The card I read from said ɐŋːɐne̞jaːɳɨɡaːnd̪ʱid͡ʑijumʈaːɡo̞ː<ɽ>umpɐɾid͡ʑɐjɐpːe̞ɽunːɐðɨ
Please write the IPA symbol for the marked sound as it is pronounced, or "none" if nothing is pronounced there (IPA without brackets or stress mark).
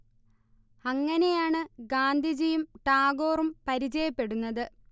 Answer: r